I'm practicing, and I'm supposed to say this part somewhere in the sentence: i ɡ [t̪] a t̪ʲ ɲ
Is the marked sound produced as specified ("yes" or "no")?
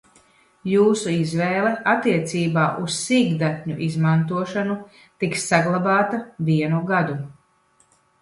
no